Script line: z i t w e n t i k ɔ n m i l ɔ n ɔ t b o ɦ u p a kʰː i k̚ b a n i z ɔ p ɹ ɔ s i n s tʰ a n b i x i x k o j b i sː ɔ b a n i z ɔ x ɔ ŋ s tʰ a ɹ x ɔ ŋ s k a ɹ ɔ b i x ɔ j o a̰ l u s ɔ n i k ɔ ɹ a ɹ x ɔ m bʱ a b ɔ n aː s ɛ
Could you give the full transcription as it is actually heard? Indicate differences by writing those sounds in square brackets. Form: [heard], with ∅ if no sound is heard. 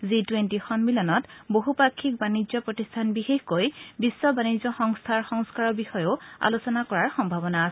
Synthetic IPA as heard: z i t w e n t i [x] ɔ n m i l ɔ n ɔ t b o ɦ u p a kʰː i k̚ b a n i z ɔ p ɹ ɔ [t] i [∅] s tʰ a n b i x [e] x k o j b i sː ɔ b a n i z ɔ x ɔ ŋ s tʰ a ɹ x ɔ ŋ s k a ɹ ɔ b i x ɔ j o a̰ l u s ɔ n [a] k ɔ ɹ a ɹ x ɔ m bʱ a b ɔ n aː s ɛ